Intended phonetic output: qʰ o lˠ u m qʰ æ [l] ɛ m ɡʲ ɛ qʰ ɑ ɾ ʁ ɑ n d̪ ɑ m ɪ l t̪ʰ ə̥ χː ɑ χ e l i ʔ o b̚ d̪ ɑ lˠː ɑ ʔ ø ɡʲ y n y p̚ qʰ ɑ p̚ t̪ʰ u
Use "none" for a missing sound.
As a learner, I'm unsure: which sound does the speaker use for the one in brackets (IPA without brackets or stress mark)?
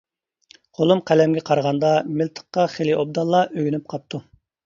l